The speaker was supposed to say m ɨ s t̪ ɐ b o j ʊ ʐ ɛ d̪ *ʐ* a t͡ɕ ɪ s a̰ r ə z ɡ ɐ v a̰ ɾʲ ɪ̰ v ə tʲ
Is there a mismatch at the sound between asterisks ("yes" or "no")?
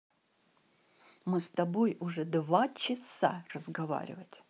yes